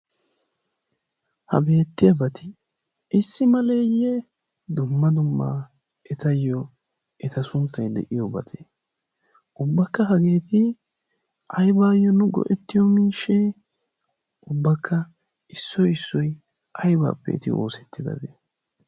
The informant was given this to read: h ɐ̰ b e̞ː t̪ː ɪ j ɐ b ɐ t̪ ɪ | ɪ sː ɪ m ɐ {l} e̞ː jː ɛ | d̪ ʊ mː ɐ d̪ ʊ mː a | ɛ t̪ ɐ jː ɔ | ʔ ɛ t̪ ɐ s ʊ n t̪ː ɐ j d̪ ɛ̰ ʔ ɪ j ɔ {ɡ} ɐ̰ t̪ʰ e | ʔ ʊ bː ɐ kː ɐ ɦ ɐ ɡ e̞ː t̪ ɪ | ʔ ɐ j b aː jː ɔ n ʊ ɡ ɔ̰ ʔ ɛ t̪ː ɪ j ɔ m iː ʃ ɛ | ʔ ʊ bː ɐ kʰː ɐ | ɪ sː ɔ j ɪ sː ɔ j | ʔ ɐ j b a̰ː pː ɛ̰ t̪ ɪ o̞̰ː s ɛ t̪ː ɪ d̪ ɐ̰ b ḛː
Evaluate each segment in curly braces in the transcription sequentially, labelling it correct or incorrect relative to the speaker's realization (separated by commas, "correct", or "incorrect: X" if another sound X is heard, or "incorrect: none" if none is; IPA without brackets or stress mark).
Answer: correct, incorrect: b